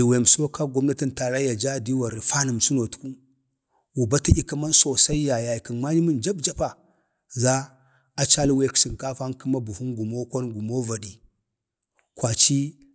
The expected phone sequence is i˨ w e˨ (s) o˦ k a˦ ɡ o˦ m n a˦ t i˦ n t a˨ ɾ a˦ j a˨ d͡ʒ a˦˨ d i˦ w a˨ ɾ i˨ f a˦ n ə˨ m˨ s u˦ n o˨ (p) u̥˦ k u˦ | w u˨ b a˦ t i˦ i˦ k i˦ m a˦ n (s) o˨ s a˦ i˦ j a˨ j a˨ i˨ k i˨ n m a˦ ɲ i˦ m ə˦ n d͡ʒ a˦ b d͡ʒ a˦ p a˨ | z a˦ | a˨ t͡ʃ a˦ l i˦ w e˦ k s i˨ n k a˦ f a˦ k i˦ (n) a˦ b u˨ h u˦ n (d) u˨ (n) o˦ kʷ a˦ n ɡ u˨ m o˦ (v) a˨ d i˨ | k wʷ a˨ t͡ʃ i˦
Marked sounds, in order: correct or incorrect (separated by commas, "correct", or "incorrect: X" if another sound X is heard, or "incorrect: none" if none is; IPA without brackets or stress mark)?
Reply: correct, incorrect: t, correct, incorrect: m, incorrect: ɡ, incorrect: m, correct